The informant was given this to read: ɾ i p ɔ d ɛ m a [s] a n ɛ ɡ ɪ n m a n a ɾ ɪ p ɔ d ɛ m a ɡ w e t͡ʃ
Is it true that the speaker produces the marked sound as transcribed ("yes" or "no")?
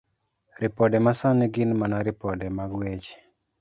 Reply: yes